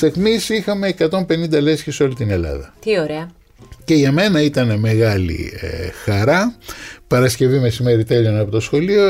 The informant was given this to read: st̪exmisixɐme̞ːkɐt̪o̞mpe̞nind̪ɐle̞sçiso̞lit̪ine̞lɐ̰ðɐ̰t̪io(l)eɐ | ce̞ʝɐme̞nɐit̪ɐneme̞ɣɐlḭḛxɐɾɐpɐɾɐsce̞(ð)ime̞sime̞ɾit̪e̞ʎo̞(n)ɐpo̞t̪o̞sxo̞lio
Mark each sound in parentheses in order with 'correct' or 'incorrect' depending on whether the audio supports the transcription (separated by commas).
incorrect, incorrect, correct